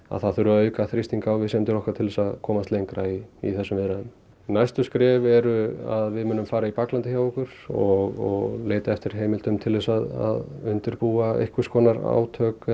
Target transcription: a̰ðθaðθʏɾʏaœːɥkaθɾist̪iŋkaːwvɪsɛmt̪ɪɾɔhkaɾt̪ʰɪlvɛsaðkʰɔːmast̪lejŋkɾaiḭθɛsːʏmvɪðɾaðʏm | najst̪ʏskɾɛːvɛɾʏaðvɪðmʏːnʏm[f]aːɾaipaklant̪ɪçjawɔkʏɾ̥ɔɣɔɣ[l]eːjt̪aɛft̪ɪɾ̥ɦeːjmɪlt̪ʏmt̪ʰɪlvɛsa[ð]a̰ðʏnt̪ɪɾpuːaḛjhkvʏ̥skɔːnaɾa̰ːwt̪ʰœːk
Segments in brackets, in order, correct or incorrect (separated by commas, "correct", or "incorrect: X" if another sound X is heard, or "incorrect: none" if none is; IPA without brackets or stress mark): correct, correct, correct